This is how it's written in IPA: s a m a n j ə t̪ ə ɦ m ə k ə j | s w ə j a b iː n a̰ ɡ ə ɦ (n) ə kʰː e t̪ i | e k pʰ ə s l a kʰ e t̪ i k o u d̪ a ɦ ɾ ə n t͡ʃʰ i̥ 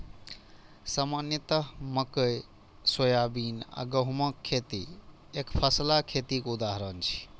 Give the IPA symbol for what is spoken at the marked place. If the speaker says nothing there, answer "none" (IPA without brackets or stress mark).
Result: m